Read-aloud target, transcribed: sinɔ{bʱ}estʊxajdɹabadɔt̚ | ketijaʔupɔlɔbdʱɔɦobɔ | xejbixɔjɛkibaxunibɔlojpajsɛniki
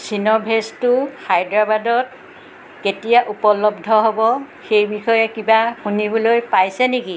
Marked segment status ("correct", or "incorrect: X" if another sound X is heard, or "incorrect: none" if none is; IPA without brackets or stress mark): correct